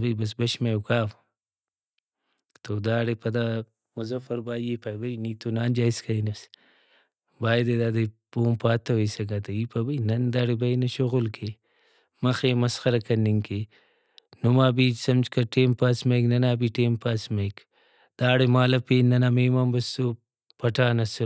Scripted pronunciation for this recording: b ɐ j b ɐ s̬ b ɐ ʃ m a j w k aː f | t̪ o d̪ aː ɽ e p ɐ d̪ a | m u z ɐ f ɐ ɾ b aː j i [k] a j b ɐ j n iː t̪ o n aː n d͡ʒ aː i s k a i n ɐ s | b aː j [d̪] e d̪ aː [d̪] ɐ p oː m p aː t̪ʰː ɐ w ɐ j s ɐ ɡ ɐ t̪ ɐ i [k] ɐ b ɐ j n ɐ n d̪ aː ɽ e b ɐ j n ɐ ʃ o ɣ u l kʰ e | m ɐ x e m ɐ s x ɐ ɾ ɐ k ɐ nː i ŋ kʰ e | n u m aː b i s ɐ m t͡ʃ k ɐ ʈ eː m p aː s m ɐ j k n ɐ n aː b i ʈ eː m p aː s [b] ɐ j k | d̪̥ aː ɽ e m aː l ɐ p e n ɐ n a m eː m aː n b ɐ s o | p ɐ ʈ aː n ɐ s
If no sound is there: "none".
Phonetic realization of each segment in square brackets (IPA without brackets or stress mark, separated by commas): p, d̪, d̪, p, m